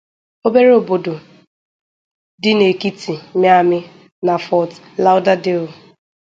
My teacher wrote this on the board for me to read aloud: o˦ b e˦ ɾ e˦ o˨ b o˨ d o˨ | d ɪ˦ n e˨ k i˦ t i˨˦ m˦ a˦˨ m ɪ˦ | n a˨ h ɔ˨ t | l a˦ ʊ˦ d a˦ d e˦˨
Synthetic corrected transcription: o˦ b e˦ ɾ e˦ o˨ b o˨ d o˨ | d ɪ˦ n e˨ k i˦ t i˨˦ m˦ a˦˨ m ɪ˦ | n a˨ f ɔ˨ t | l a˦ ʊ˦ d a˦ d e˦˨